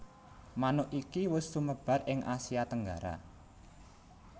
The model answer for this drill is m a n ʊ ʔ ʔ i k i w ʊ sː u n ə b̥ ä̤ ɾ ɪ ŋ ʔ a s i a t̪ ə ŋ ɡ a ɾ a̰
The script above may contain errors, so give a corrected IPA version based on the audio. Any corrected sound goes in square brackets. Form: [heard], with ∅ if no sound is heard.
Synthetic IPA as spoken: m a n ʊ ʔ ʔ i k i w ʊ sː u [m] ə b̥ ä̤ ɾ ɪ ŋ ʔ a s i a t̪ ə ŋ ɡ a ɾ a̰